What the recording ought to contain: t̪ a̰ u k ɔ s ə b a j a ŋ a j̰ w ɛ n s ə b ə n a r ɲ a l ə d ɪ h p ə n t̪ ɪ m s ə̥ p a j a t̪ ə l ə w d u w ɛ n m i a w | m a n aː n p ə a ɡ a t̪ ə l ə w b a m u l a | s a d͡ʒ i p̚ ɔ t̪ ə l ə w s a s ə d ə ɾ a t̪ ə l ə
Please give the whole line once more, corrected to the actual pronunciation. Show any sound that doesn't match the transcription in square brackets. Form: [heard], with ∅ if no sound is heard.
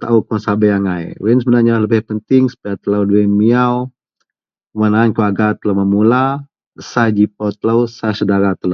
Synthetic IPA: t̪ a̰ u k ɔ s [a] b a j a ŋ a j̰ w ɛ n s ə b ə n a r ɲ a l ə [b] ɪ h p ə n t̪ ɪ [ŋ] s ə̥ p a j a t̪ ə l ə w d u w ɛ n m i a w | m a n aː n [k] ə a ɡ a t̪ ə l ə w [m] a m u l a | s a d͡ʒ i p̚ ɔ t̪ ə l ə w s a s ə d [a] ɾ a t̪ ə l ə